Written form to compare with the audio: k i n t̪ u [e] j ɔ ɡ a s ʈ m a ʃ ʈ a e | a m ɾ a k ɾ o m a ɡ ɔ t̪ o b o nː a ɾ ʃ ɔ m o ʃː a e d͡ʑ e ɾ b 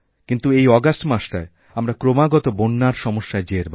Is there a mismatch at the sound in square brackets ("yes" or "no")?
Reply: no